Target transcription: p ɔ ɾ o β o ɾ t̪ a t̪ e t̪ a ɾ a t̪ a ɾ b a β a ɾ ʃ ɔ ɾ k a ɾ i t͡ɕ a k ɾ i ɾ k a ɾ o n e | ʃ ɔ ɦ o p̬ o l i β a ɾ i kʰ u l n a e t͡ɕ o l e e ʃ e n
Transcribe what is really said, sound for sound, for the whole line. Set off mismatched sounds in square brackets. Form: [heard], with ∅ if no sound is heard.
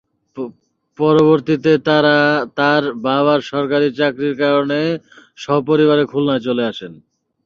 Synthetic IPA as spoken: p ɔ ɾ o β o ɾ t̪ [i] t̪ e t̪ a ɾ a t̪ a ɾ b a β a ɾ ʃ ɔ ɾ k a ɾ i t͡ɕ a k ɾ i ɾ k a ɾ o n e | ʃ ɔ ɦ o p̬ o [ɾ] i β a ɾ [e] kʰ u l n a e t͡ɕ o l e [a] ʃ e n